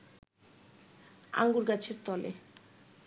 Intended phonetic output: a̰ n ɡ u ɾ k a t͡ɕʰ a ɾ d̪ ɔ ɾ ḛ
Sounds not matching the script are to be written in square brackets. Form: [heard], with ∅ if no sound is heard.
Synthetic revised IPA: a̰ [ŋ] ɡ u ɾ [ɡ] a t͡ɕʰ [e] ɾ [t̪] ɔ [l] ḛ